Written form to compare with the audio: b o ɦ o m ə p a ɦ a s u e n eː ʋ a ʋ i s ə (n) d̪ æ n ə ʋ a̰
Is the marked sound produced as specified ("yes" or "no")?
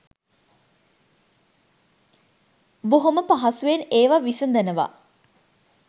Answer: yes